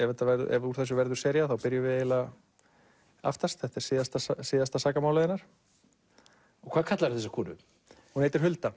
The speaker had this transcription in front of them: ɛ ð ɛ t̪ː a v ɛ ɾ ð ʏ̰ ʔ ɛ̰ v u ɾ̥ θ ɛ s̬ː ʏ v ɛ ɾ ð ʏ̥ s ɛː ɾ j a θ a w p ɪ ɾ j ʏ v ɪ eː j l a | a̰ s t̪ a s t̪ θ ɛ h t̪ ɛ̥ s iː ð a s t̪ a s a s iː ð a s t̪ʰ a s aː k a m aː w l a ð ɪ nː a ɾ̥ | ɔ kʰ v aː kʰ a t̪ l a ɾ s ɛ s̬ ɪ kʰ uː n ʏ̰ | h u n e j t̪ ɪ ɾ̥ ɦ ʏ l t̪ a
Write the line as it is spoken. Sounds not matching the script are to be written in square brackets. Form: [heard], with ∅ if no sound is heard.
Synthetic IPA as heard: ɛ [v] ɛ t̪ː a v ɛ ɾ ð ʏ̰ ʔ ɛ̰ v u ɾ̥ θ ɛ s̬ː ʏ v ɛ ɾ ð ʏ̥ s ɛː ɾ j a θ a w p ɪ ɾ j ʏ v ɪ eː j l a | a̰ [f] t̪ a s t̪ θ ɛ h t̪ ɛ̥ s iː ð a s t̪ a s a s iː ð a s [t̪] a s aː k a m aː w l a ð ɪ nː a ɾ̥ | ɔ kʰ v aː kʰ a t̪ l a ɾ [θ] ɛ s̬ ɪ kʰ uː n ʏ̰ | h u n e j t̪ ɪ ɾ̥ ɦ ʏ l t̪ a